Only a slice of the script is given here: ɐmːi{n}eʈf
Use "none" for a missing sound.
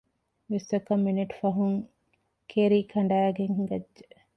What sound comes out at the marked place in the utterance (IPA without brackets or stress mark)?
n